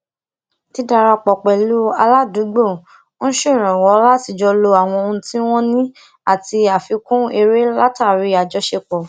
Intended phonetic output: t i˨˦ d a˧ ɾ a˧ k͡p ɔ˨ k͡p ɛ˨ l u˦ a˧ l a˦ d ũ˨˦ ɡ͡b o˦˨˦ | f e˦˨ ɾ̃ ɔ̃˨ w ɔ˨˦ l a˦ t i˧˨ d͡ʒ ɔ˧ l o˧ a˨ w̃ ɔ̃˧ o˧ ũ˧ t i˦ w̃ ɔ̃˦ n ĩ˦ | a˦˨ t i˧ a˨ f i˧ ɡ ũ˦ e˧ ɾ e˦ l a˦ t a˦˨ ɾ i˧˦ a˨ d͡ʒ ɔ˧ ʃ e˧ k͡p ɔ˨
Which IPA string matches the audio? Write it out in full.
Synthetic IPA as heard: t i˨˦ d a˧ ɾ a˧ k͡p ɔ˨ k͡p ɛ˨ l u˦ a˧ l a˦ d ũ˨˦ ɡ͡b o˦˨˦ | ʃ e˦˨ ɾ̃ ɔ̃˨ w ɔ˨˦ l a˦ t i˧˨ d͡ʒ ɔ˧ l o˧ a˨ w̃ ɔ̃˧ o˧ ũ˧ t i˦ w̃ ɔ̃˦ n ĩ˦ | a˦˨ t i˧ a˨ f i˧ k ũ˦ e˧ ɾ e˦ l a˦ t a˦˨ ɾ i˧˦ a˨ d͡ʒ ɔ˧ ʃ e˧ k͡p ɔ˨